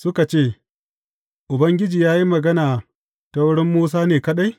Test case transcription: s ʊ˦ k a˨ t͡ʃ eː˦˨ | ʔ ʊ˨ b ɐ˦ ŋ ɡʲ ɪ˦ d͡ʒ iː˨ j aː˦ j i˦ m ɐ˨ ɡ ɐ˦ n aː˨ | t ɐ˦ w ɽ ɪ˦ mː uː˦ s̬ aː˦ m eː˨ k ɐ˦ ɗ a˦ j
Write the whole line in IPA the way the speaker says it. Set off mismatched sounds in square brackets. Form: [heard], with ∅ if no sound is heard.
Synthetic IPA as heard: s ʊ˦ k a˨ t͡ʃ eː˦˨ | ʔ ʊ˨ b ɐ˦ ŋ ɡʲ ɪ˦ d͡ʒ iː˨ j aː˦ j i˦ m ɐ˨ ɡ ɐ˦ n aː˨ | t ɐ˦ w ɽ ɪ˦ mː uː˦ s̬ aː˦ [n] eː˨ k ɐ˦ ɗ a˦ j